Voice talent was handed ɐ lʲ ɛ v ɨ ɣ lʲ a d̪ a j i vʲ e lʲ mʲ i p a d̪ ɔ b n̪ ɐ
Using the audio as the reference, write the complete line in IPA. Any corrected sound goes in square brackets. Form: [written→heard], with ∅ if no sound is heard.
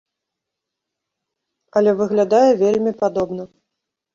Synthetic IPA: ɐ lʲ ɛ v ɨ ɣ lʲ a d̪ a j [i→ɛ] vʲ e lʲ mʲ i p a d̪ ɔ b n̪ ɐ